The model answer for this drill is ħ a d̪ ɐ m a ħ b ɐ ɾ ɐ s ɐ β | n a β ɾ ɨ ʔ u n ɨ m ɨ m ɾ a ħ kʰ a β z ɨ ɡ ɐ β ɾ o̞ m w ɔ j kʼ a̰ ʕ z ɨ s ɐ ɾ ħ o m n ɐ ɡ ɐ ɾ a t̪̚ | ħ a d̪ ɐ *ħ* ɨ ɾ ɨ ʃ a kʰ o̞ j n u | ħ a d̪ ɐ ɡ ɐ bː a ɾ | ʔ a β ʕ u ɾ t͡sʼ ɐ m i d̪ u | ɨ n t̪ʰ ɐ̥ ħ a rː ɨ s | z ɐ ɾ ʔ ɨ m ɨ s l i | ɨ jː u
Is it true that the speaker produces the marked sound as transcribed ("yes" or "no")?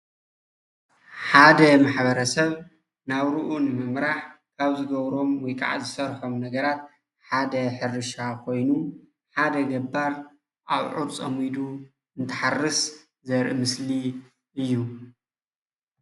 yes